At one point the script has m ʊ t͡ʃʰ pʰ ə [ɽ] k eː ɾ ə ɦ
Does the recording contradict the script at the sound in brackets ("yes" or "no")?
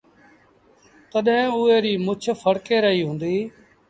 no